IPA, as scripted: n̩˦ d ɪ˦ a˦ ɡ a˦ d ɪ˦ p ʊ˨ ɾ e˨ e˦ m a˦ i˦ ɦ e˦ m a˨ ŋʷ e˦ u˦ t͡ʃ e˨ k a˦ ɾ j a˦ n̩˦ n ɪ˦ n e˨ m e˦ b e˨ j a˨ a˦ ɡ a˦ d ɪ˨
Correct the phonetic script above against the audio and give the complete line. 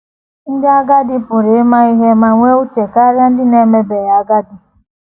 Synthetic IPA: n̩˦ d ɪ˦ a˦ ɡ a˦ d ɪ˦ p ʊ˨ ɾ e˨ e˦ m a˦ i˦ ɦ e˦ m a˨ ŋʷ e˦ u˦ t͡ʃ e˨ k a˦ ɾ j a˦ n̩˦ d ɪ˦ n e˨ m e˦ b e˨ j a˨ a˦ ɡ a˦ d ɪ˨